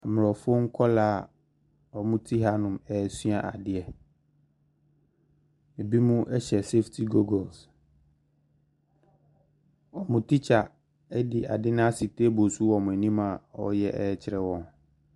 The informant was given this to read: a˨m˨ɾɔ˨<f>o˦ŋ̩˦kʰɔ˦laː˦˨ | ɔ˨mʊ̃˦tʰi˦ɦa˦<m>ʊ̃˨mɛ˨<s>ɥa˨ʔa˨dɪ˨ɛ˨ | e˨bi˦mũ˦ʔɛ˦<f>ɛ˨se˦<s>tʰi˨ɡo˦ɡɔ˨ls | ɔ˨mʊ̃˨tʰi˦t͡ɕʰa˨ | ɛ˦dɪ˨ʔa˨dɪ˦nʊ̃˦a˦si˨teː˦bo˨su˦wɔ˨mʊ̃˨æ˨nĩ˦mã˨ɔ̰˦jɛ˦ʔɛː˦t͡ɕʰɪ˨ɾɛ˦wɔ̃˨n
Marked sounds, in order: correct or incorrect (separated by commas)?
correct, incorrect, correct, incorrect, incorrect